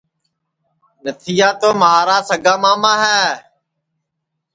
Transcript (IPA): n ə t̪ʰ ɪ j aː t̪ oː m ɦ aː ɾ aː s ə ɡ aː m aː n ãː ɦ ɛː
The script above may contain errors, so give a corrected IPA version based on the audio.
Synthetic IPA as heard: n ə t̪ʰ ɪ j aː t̪ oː m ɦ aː ɾ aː s ə ɡ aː m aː m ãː ɦ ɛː